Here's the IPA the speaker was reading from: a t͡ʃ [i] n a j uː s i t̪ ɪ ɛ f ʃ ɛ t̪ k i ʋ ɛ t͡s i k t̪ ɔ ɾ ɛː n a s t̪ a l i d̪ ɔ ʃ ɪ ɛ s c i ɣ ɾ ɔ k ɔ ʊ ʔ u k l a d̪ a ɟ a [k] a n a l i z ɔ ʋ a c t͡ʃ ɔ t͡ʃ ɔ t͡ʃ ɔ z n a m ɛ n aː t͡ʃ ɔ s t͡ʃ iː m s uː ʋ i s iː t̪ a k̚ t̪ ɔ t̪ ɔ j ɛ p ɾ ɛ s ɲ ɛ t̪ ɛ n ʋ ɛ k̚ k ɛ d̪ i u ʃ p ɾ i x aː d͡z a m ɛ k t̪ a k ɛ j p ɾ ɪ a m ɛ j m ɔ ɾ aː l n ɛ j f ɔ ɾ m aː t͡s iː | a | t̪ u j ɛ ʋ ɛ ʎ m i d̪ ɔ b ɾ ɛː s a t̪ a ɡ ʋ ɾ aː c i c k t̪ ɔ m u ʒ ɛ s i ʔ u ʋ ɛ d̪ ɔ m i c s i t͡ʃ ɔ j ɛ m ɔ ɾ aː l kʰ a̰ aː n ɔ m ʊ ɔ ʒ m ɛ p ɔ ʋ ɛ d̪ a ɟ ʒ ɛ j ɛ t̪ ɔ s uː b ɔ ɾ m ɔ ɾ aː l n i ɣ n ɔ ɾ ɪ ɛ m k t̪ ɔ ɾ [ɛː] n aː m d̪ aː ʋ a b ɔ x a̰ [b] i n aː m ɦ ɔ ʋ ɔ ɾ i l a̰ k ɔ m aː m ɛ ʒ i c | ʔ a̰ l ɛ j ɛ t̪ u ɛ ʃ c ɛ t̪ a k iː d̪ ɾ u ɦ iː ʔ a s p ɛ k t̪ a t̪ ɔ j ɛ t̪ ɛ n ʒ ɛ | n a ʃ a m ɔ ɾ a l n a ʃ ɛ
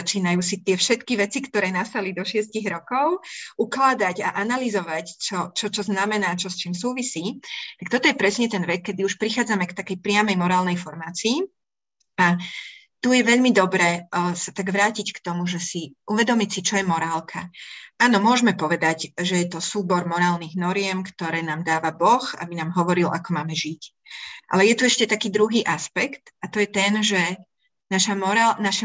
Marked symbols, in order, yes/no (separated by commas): no, no, yes, yes